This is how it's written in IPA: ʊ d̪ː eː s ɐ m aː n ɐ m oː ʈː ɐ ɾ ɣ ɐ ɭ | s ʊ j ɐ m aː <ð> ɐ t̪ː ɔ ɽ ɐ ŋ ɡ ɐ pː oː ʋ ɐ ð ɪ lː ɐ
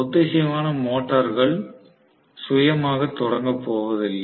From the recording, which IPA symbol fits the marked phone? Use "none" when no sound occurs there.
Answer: ɣ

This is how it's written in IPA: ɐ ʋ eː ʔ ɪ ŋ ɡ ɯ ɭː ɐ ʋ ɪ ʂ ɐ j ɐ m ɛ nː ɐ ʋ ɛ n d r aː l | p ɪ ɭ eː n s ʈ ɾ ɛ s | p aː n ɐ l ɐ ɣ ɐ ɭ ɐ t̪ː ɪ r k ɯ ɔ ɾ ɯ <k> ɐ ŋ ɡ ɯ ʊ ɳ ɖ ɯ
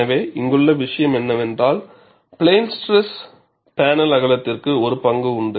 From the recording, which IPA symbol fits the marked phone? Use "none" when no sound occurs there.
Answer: p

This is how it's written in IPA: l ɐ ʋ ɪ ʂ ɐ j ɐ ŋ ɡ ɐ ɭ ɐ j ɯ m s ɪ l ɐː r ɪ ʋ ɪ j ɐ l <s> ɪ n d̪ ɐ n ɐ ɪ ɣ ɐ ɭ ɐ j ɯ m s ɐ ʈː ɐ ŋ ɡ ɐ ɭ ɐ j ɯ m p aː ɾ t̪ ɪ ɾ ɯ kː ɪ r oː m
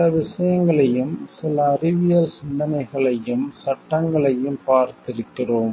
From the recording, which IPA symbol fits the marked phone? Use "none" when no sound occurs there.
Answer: s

